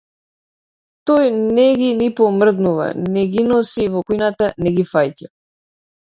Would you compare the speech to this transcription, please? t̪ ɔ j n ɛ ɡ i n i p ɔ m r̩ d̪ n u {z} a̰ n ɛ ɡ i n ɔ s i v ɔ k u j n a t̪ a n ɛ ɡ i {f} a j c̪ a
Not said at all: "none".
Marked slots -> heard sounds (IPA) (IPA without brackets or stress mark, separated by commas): v, f